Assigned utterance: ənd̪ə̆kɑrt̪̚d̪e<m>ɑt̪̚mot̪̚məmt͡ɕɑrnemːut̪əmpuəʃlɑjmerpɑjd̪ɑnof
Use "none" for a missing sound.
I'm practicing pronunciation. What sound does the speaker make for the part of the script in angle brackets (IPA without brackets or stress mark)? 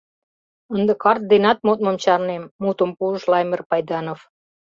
n